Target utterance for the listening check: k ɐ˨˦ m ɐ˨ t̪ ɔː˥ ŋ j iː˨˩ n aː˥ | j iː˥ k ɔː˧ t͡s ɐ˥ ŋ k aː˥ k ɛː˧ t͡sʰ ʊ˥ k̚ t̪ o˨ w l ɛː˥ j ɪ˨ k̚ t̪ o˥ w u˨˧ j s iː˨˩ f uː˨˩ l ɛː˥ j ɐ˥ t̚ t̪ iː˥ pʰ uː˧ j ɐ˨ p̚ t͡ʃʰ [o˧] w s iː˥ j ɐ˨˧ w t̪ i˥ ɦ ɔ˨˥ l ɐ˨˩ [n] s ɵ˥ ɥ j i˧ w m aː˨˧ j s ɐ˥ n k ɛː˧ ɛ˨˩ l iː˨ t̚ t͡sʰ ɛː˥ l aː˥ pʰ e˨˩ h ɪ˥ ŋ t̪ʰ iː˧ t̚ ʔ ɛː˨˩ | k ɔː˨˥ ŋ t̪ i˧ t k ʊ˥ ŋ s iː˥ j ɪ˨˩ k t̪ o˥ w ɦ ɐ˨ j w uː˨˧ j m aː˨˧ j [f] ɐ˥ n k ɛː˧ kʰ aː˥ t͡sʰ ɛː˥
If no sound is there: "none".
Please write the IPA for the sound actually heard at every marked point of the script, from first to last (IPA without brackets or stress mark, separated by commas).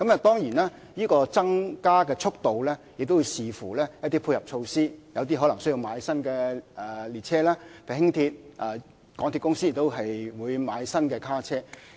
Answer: o˧, ŋ, s